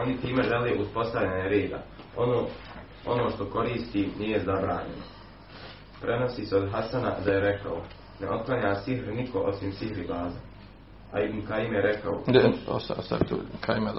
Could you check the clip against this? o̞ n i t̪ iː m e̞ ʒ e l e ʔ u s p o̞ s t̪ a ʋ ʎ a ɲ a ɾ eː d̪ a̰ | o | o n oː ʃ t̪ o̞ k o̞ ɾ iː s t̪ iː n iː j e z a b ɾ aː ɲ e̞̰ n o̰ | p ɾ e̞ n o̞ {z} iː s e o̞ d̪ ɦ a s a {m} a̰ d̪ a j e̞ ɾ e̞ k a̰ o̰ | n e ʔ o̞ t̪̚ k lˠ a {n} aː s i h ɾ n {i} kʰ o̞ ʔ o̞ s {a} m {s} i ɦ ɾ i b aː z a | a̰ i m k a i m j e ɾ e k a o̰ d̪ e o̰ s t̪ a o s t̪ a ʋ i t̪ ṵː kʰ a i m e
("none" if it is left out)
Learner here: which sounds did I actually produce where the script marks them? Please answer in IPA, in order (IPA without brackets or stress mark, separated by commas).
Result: s, n, ɲ, i, i, s